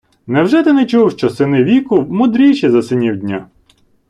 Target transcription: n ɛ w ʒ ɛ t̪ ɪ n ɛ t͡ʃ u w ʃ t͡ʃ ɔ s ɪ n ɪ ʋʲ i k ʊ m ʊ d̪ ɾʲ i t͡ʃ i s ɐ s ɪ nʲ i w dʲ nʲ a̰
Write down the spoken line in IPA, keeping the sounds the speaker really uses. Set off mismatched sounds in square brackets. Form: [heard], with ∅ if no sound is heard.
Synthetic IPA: n ɛ w ʒ ɛ t̪ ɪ n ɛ t͡ʃ u w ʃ t͡ʃ ɔ s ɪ n ɪ ʋʲ i k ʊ m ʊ d̪ ɾʲ i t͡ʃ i [z] ɐ s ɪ nʲ i w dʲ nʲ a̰